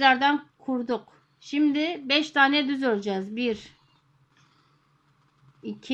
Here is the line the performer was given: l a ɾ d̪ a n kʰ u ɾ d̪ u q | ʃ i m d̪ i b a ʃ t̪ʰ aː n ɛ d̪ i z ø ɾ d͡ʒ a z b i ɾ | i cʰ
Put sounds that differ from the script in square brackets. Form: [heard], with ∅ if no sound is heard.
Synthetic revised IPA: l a ɾ d̪ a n kʰ u ɾ d̪ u q | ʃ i m d̪ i b [ɛ] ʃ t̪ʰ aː n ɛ d̪ [y] z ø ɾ d͡ʒ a z b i ɾ | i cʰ